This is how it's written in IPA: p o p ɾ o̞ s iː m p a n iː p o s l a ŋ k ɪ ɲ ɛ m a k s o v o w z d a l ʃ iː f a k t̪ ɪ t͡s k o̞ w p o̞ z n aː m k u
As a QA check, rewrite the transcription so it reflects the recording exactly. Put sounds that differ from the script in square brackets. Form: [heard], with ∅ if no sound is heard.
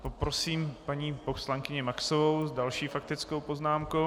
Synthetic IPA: p o p ɾ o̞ s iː m p a [ɲ] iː p o s l a ŋ k ɪ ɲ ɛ m a k s o v o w z d a l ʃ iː f a k t̪ ɪ t͡s k o̞ w p o̞ z n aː m k [o]